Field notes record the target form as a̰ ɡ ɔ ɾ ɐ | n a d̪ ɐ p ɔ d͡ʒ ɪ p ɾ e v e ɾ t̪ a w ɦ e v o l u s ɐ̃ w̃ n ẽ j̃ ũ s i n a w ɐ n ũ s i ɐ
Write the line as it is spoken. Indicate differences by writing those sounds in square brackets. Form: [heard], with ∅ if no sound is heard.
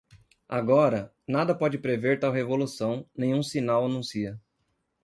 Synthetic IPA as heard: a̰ ɡ ɔ ɾ ɐ | n a d̪ ɐ p ɔ d͡ʒ ɪ p ɾ e v e ɾ t̪ a w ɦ e v o l u s ɐ̃ w̃ n ẽ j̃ ũ s i n a w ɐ n ũ s i ɐ